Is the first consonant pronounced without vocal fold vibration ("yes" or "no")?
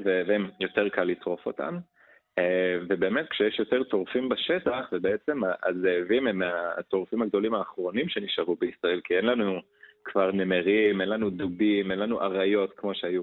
no